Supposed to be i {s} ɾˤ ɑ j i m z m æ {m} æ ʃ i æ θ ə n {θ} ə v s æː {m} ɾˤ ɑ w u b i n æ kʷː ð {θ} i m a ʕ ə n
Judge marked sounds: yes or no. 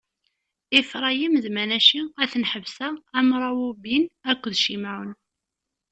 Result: no, no, no, yes, no

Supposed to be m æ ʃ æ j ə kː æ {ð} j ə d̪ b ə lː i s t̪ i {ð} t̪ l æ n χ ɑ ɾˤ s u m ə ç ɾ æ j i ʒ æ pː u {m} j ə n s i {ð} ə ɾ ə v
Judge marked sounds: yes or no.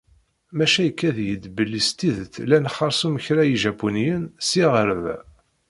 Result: yes, yes, no, no

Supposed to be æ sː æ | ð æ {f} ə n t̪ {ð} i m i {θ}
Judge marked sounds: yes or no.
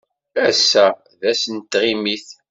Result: no, no, yes

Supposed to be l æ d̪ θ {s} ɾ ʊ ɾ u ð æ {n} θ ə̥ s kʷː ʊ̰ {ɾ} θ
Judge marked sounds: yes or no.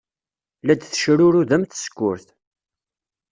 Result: no, no, yes

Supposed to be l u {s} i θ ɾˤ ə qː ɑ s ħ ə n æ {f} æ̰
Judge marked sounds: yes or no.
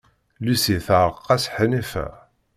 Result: yes, yes

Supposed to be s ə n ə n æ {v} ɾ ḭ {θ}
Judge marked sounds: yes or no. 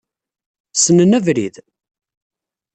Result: yes, no

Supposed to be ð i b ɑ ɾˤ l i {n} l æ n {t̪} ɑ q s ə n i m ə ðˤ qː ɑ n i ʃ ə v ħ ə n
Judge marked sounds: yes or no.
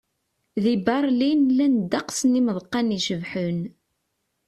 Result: yes, no

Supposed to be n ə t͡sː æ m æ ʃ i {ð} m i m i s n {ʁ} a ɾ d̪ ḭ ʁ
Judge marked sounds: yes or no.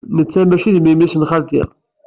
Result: yes, no

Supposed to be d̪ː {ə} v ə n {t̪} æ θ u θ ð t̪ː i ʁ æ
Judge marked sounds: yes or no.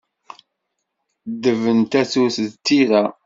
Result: yes, yes

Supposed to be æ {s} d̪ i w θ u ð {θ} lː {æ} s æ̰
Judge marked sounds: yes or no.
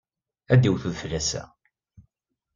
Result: no, no, yes

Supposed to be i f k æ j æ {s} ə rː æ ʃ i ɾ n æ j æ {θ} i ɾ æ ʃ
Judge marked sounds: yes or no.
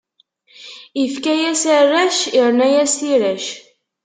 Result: yes, no

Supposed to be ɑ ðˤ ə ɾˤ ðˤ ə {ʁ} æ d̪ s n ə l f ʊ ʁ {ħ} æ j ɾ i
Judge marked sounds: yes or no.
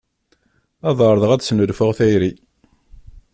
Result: yes, no

